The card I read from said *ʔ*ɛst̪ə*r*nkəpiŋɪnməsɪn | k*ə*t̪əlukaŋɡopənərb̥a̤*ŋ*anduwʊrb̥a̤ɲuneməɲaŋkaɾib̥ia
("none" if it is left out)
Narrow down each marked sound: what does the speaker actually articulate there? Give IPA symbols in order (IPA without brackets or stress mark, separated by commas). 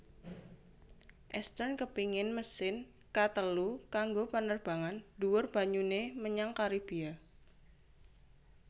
ʔ, r, a, ŋ